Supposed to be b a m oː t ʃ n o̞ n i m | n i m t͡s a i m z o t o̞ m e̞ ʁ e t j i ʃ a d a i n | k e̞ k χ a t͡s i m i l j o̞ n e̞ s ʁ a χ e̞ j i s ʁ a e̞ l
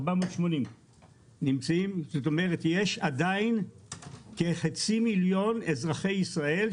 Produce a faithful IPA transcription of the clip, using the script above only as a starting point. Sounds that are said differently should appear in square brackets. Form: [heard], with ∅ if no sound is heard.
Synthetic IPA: b a m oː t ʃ [m] o̞ n i m | n i m t͡s a i m z o t o̞ m e̞ ʁ e t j [e] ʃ a d a i n | k e̞ [∅] χ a t͡s i m i l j o̞ n e̞ [z] ʁ a χ e̞ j i s ʁ a e̞ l